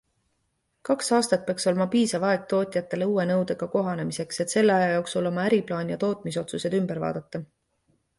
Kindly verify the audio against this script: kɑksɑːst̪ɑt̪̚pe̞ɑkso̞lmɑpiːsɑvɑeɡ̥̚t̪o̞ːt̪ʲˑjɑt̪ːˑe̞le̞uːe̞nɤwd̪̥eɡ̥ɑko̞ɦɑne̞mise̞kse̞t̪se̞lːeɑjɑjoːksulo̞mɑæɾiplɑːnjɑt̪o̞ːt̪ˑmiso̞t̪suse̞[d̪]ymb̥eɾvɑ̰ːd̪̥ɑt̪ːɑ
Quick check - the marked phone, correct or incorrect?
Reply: correct